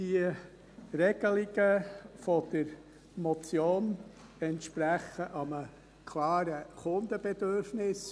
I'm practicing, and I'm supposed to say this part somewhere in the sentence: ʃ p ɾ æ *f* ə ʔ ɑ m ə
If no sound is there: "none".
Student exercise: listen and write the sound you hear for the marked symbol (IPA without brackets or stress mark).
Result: χ